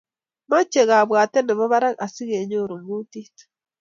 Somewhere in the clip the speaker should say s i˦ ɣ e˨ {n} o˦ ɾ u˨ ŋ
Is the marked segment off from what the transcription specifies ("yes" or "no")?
yes